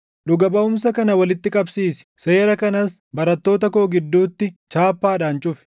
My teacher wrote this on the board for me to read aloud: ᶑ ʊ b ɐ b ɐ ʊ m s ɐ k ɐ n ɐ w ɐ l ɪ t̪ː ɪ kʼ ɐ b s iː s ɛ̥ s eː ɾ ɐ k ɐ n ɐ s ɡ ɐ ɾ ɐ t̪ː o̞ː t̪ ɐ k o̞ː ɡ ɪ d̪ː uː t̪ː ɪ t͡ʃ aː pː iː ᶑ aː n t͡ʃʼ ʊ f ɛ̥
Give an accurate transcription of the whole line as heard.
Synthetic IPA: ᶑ ʊ ɡ ɐ b ɐ ʊ m s ɐ k ɐ n ɐ w ɐ l ɪ t̪ː ɪ kʼ ɐ b s iː s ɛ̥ s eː ɾ ɐ k ɐ n ɐ s b ɐ ɾ ɐ t̪ː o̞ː t̪ ɐ k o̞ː ɡ ɪ d̪ː uː t̪ː ɪ t͡ʃ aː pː aː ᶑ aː n t͡ʃʼ ʊ f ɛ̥